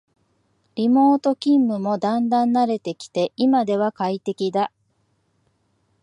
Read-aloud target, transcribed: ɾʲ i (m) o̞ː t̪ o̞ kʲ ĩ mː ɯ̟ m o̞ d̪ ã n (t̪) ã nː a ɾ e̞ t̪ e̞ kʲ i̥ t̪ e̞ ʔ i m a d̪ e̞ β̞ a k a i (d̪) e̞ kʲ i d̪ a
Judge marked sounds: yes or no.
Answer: yes, no, no

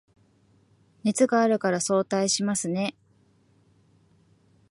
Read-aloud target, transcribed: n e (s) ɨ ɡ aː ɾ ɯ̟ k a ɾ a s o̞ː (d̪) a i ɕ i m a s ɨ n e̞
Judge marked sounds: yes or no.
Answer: no, no

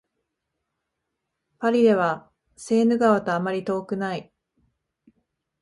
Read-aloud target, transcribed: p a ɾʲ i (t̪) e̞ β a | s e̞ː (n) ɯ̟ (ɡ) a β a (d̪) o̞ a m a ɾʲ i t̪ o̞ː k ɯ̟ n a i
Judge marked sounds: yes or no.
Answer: no, yes, yes, no

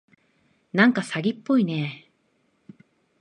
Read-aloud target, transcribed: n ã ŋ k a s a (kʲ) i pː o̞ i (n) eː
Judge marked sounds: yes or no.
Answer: no, yes

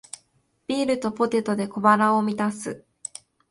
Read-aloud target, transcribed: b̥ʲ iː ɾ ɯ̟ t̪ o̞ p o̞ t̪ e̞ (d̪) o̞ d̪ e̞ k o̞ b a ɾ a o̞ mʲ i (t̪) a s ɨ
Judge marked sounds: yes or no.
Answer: no, yes

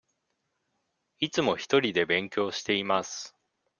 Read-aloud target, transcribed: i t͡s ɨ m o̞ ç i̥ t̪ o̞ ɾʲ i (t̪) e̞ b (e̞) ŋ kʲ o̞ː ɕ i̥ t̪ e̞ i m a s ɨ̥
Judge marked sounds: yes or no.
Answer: no, no

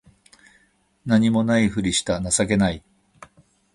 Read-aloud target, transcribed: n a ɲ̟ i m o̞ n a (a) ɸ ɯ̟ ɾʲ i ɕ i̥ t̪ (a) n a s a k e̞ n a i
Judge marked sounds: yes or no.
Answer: no, yes

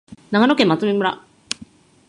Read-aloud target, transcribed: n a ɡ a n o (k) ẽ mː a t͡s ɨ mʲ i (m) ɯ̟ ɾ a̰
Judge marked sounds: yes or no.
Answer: yes, yes

